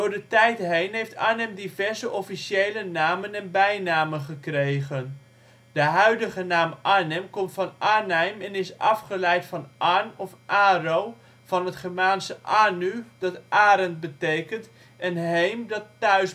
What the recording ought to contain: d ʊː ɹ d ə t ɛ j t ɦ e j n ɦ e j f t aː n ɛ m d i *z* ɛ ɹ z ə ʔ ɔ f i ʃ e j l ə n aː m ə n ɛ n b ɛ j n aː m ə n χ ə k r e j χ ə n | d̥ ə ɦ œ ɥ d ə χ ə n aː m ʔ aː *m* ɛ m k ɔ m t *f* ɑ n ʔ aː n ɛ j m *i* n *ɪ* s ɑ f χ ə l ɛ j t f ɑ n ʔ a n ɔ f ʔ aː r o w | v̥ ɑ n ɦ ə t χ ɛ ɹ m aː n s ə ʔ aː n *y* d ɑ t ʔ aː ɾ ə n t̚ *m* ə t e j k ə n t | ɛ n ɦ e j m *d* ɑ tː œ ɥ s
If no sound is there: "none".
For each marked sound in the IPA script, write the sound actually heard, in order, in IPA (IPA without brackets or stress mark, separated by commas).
v, n, f, ɛ, ɪ, y, b, d